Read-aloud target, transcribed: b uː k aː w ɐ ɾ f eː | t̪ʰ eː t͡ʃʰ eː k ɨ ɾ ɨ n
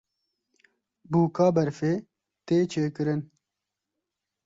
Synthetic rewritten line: b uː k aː b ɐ ɾ f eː | t̪ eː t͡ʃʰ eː k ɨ ɾ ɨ n